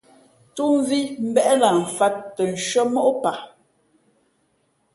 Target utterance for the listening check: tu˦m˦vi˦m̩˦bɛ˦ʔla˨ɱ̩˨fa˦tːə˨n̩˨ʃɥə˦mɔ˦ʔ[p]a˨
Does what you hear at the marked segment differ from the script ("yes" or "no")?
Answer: no